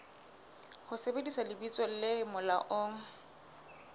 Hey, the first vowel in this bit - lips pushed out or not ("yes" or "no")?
yes